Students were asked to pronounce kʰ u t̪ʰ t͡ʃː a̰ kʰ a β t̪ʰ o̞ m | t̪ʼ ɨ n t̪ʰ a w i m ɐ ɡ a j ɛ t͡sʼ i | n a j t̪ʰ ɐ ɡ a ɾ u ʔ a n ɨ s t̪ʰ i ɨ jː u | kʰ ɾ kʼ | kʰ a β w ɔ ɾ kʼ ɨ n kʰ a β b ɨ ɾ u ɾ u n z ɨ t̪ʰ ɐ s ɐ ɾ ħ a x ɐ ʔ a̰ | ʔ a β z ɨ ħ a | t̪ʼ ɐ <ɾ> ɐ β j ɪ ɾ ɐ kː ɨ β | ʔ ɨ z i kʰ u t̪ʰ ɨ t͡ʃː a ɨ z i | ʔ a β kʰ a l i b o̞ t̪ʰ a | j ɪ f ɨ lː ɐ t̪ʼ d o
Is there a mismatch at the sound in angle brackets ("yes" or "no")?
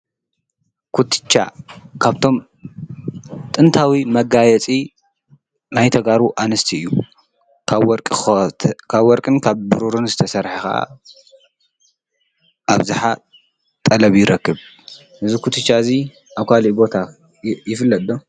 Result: yes